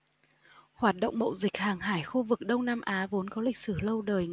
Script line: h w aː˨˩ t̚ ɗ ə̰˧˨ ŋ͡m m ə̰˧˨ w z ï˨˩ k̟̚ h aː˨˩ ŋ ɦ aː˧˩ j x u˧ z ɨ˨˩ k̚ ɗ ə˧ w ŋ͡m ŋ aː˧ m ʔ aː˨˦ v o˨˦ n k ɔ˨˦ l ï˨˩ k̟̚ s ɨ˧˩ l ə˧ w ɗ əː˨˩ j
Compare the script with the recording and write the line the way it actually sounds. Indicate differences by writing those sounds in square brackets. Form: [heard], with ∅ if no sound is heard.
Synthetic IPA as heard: h w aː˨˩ t̚ ɗ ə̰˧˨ ŋ͡m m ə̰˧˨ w z ï˨˩ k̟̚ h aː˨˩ ŋ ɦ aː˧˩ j x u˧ [v] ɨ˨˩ k̚ ɗ ə˧ w ŋ͡m [n] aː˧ m ʔ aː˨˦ v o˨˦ n k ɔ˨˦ l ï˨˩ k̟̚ s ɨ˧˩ l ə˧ w ɗ əː˨˩ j